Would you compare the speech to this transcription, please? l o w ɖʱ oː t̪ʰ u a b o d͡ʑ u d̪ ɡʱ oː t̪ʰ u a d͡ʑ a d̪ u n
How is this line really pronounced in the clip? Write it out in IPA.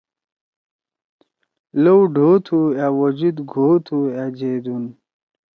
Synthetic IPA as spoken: l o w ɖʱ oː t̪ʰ u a w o d͡ʑ u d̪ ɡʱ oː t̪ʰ u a d͡ʑ e d̪ u n